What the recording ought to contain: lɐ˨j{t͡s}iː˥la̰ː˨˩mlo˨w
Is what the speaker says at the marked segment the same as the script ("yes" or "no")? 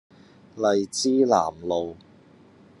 yes